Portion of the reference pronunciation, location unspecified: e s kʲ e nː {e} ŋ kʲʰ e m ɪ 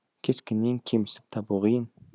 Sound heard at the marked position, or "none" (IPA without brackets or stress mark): e